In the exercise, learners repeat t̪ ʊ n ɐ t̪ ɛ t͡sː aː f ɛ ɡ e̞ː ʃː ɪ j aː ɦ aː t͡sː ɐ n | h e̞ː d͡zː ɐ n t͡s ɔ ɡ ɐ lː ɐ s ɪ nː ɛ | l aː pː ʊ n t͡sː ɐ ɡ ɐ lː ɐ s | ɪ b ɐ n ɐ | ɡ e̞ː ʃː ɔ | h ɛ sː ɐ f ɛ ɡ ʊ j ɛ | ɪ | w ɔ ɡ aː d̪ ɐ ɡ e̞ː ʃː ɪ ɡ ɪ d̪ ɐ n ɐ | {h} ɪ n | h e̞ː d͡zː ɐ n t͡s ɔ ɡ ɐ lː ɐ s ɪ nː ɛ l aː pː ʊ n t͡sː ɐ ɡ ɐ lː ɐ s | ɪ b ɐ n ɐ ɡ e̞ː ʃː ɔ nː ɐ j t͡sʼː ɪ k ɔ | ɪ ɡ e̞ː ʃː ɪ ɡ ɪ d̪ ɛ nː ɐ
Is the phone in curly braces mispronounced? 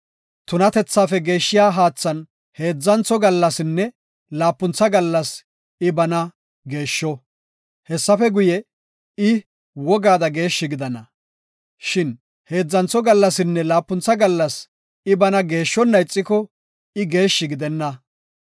yes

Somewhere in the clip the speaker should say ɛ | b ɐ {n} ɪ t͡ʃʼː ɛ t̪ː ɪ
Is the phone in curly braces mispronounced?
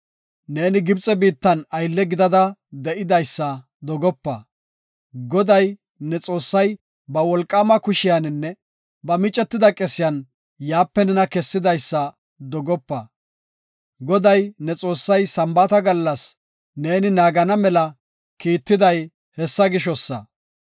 yes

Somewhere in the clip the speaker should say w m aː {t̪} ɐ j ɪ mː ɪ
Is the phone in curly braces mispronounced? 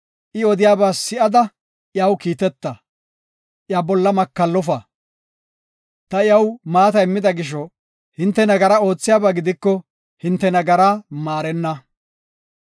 no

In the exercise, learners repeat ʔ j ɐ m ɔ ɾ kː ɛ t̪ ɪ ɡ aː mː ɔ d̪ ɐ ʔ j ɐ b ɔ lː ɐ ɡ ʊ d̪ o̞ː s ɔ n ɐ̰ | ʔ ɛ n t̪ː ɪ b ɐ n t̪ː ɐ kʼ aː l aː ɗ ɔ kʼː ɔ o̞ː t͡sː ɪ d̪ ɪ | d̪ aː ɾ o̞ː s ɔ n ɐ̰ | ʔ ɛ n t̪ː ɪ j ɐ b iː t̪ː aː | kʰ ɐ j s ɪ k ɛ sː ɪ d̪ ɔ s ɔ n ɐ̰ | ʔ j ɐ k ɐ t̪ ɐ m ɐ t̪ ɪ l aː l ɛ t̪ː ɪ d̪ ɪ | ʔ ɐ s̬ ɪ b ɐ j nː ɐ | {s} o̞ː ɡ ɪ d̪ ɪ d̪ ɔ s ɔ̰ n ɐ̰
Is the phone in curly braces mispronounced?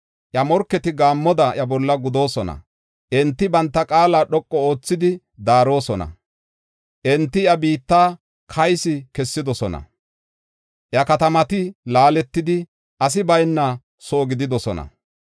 no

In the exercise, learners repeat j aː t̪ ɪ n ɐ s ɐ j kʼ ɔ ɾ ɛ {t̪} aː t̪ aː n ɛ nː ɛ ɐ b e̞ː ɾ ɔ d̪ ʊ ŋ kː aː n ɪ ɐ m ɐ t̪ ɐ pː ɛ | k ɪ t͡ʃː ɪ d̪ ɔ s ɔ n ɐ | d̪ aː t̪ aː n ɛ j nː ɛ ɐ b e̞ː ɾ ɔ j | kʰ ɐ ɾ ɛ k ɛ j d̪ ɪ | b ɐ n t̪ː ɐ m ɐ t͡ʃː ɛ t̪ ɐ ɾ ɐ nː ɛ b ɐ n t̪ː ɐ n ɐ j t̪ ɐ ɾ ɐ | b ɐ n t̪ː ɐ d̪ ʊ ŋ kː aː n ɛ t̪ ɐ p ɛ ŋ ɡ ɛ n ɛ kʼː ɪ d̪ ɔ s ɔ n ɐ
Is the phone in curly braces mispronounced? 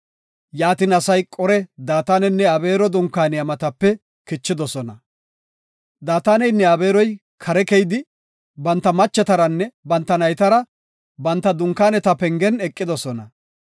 yes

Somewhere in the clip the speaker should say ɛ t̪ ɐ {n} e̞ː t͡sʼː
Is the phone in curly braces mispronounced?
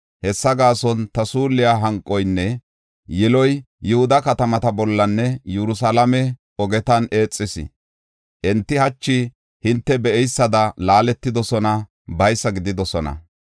no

